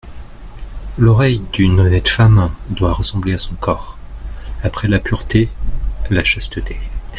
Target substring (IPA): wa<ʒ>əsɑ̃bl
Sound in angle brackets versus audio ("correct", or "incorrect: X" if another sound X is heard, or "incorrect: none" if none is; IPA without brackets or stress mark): incorrect: ʁ